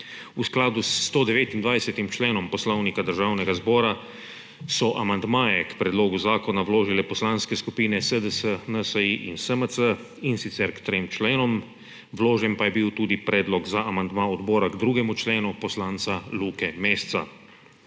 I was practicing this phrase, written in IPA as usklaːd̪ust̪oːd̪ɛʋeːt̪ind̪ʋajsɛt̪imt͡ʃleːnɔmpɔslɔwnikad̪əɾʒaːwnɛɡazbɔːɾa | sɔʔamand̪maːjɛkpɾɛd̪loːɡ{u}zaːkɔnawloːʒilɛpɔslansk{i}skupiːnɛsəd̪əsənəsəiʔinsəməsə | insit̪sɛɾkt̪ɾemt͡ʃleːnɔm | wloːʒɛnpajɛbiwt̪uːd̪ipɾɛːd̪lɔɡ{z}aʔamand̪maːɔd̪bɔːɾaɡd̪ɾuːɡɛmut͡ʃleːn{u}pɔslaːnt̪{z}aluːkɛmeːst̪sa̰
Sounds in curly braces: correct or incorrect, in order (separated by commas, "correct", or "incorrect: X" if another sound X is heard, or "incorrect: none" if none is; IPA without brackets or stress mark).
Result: correct, incorrect: ɛ, correct, correct, incorrect: s